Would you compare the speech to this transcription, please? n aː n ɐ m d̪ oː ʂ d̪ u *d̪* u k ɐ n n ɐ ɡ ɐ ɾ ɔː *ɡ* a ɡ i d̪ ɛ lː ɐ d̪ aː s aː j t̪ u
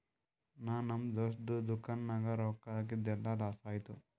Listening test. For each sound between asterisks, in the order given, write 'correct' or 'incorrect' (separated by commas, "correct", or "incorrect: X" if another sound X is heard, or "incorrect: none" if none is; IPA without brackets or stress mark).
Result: correct, incorrect: k